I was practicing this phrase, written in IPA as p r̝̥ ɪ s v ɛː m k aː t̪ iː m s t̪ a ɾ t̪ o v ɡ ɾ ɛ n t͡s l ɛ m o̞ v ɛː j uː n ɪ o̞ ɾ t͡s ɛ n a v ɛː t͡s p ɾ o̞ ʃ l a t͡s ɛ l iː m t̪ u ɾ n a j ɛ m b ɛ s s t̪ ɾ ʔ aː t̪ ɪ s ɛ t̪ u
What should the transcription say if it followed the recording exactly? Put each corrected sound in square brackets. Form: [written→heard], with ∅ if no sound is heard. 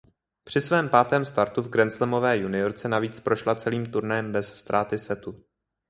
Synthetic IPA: p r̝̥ ɪ s v ɛː m [k→p] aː t̪ [iː→ɛː] m s t̪ a ɾ t̪ [o→u] v ɡ ɾ ɛ n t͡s l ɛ m o̞ v ɛː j [uː→u] n ɪ o̞ ɾ t͡s ɛ n a v [ɛː→iː] t͡s p ɾ o̞ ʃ l a t͡s ɛ l iː m t̪ u ɾ n a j ɛ m b ɛ s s t̪ ɾ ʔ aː t̪ ɪ s ɛ t̪ u